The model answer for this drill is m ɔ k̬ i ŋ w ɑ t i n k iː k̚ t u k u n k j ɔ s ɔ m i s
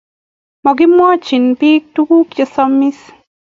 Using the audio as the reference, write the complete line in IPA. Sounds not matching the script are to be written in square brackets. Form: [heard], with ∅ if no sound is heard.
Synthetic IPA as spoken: m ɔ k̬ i [m] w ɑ [t͡ʃ] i n [p] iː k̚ t u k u [∅] k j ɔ s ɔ m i s